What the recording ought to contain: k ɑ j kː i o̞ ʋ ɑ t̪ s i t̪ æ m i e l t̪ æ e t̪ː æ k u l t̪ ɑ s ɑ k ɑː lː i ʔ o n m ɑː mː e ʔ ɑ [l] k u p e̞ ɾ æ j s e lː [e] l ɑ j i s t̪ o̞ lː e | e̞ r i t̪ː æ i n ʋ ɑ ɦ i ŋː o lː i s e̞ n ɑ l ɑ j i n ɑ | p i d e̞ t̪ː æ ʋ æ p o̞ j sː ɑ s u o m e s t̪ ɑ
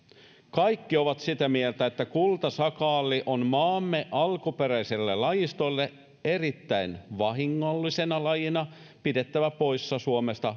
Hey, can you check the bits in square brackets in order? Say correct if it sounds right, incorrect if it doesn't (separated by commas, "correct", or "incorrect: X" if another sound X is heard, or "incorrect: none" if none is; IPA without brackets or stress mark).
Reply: correct, correct